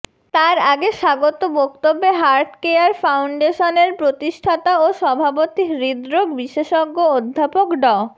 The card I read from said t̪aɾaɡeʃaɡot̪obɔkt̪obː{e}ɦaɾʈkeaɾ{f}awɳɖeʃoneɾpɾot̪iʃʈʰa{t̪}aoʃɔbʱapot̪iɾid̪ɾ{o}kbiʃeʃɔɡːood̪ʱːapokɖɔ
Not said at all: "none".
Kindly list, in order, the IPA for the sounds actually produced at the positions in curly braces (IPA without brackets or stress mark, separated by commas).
e, f, t̪, o